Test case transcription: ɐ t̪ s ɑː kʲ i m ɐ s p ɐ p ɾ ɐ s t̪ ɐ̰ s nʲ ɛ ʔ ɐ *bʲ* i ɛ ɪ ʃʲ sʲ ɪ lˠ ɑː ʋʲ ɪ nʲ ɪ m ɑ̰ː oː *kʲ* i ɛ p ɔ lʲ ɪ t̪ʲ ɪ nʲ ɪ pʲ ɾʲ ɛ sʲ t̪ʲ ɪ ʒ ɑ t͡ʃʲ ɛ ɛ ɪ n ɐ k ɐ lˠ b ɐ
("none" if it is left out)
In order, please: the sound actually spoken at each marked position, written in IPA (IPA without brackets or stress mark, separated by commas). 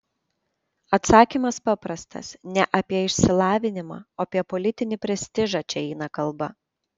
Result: pʲ, pʲ